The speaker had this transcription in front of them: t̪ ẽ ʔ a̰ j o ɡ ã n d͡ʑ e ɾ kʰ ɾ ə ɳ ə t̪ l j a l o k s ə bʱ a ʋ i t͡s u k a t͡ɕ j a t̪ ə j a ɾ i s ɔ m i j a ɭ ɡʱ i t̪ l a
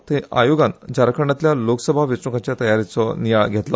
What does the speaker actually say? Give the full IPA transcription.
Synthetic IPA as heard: t̪ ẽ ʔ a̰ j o ɡ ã n d͡ʑ a ɾ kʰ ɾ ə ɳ a t̪ l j a l o k s ə bʱ a ʋ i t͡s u k a t͡ɕ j a t̪ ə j a ɾ i t͡s ɔ n i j a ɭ ɡʱ e t̪ l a